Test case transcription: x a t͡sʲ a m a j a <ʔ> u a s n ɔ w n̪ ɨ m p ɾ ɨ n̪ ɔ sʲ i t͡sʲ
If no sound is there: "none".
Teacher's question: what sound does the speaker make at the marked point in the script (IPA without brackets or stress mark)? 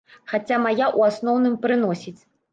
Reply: ʔ